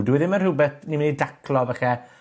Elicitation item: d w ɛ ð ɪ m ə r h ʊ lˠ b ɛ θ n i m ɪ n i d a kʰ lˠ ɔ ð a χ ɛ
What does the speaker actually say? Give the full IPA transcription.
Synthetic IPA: d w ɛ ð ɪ m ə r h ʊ b ɛ θ n i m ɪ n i d a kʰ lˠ ɔ v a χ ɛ